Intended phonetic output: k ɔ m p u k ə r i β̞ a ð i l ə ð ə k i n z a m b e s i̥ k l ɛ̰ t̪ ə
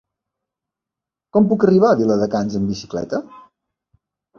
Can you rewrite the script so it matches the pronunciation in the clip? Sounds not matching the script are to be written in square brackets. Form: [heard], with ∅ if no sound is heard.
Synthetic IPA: k ɔ m p u k ə r i β̞ a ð i l ə ð ə k [a] n z [ə] m b [i] s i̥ k l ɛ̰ t̪ ə